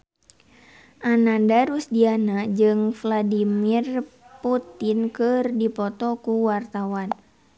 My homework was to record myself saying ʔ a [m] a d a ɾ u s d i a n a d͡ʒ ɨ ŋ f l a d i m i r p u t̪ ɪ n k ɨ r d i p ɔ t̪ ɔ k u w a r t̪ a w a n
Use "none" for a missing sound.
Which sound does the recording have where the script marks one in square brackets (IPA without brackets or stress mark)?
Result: n